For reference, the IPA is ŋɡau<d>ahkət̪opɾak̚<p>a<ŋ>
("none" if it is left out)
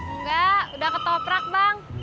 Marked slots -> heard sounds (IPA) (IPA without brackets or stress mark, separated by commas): d, b, ŋ